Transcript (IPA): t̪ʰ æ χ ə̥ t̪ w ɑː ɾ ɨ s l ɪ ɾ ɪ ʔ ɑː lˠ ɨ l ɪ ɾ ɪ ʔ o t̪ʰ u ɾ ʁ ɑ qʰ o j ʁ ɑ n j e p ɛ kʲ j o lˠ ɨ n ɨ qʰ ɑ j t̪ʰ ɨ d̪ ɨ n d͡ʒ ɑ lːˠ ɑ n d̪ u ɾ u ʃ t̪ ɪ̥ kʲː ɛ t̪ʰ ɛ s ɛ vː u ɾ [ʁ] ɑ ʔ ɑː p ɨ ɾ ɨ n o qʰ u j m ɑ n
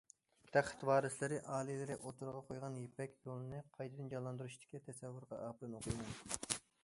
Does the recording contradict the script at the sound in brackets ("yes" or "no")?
no